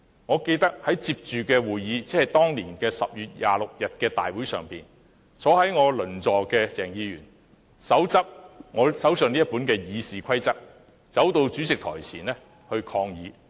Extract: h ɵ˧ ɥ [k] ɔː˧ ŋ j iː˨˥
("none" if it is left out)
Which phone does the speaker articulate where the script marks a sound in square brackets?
kʰ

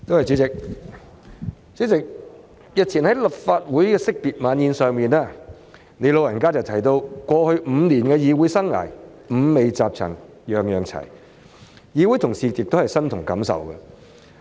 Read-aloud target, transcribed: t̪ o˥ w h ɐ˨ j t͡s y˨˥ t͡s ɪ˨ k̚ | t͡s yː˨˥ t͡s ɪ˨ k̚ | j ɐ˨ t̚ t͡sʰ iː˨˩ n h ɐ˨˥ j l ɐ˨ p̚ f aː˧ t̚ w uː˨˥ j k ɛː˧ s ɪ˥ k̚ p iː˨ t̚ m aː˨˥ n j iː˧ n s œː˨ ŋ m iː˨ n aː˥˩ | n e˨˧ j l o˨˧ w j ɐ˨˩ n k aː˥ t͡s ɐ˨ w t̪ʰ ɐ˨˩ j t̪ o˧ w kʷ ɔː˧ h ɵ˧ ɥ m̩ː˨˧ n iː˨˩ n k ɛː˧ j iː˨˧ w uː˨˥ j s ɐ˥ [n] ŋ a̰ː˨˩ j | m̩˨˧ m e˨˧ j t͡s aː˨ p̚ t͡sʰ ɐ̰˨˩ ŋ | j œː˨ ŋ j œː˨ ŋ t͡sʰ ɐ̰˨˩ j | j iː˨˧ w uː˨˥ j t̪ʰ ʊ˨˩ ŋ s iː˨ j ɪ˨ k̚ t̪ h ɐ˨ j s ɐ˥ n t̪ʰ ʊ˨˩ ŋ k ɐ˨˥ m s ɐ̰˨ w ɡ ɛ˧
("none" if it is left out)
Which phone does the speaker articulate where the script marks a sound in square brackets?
ŋ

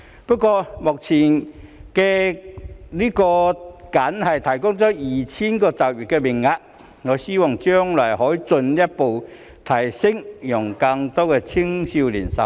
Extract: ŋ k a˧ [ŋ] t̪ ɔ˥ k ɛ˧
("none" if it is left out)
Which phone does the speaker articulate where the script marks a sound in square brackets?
ŋ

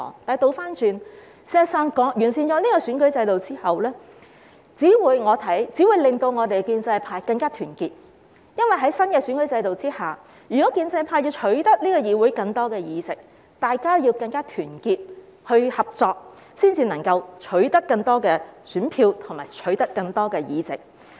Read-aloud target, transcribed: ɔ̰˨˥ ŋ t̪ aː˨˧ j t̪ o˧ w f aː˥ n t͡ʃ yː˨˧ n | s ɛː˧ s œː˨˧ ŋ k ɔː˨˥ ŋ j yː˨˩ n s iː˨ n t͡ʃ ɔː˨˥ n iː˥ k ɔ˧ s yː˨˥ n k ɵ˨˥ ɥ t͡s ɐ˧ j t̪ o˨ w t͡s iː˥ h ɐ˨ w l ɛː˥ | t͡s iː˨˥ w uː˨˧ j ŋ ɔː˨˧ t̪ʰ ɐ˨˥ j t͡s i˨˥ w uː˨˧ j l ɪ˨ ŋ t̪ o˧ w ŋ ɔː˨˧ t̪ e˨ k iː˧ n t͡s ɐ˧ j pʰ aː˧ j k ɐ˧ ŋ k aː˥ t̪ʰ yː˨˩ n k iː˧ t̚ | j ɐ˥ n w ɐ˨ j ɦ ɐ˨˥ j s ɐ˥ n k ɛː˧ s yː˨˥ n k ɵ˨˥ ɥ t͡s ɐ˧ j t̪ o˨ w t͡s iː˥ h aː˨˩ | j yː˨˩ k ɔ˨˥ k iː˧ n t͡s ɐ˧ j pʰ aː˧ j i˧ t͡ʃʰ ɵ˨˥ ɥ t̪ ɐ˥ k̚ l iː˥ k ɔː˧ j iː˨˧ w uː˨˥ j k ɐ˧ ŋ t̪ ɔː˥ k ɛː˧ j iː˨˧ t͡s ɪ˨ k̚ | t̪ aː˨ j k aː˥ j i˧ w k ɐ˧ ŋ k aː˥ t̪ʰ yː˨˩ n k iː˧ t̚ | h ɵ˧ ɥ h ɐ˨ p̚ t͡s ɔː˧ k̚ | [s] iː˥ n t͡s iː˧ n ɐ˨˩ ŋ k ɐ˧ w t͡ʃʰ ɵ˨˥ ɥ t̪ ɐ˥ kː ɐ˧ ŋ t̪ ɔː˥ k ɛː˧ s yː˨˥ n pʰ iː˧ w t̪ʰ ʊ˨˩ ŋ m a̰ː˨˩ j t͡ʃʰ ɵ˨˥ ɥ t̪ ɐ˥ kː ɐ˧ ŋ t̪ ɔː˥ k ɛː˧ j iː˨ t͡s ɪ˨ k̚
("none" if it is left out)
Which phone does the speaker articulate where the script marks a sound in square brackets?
s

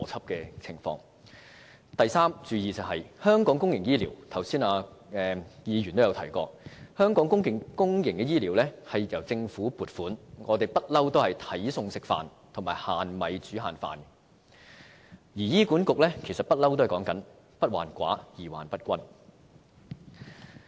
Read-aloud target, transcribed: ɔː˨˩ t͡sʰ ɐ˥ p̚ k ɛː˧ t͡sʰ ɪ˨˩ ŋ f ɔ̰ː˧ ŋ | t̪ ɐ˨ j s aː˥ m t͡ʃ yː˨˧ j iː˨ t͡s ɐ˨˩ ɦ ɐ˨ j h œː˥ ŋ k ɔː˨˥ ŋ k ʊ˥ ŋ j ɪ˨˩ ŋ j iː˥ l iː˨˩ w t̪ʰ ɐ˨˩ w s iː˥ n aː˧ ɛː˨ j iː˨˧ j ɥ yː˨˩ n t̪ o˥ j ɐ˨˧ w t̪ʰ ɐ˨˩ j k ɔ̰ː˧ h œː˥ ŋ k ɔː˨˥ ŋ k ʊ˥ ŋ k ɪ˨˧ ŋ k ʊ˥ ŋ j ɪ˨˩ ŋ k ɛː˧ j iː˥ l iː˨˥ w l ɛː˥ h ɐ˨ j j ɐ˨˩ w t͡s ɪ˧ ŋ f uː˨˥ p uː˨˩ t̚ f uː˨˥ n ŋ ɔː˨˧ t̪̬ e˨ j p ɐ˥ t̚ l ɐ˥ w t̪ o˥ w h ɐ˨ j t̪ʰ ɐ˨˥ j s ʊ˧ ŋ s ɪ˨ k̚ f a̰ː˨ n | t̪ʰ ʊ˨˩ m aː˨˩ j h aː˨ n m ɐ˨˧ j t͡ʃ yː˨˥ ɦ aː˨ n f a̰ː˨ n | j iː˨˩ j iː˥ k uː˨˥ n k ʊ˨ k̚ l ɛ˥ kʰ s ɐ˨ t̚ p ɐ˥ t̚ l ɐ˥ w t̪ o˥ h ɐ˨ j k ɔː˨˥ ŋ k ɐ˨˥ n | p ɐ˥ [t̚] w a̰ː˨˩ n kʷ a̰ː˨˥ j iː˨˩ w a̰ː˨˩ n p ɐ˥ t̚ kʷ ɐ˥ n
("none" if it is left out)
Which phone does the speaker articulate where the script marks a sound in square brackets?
t̚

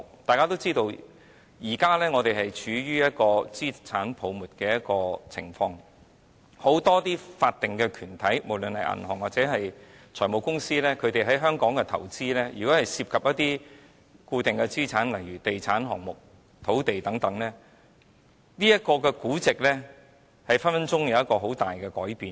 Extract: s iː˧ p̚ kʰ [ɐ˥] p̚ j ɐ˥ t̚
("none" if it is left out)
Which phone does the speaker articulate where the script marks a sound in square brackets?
ɐ˨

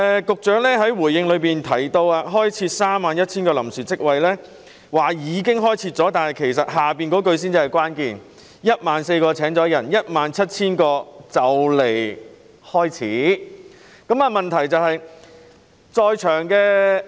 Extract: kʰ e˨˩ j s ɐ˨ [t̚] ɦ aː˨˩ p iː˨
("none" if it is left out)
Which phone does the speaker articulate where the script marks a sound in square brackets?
t̚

